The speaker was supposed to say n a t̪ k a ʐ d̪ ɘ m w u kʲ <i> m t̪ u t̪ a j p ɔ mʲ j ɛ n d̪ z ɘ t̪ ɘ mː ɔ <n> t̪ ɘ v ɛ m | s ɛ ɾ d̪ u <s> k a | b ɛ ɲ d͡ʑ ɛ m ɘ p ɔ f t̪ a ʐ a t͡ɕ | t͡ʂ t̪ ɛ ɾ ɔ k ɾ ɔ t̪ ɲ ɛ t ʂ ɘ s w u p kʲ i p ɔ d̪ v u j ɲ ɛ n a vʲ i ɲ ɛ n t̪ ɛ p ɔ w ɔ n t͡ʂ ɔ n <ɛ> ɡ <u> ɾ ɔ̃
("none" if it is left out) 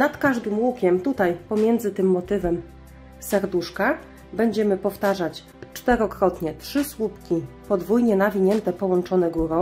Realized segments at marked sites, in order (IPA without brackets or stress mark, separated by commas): ɛ, none, ʂ, ɛ, u